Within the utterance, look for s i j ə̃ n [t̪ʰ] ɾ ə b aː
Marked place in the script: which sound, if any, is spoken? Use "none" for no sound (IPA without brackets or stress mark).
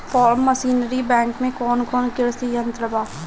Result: t̪